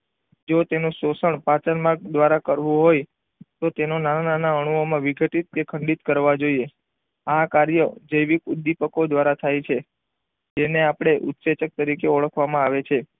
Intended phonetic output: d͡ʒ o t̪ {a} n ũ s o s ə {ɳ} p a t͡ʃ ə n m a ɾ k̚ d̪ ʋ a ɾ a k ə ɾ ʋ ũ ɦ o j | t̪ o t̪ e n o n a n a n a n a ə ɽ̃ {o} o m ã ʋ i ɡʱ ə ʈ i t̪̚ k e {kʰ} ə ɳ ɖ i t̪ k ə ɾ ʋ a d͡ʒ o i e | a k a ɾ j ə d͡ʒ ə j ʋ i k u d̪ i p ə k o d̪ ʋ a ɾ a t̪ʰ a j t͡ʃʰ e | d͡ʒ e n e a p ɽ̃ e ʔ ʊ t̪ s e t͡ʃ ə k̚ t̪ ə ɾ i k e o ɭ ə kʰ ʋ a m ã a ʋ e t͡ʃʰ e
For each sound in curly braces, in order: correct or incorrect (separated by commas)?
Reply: incorrect, correct, incorrect, correct